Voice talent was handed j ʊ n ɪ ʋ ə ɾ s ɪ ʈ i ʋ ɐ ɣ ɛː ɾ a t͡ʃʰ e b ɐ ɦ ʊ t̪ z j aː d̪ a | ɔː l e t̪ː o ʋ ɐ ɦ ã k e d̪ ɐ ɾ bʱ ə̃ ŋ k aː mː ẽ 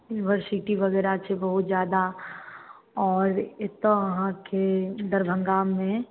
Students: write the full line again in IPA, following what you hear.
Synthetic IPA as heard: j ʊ n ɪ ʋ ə ɾ s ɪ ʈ i ʋ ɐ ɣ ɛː ɾ a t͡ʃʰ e b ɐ ɦ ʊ t̪ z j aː d̪ a | ɔː ɾ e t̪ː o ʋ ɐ ɦ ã k e d̪ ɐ ɾ bʱ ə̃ ŋ ɡ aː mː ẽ